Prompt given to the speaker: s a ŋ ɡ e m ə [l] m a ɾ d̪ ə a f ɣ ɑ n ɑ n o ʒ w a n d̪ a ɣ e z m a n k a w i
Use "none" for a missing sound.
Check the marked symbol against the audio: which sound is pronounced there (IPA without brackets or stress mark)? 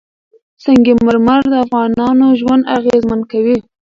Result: ɾ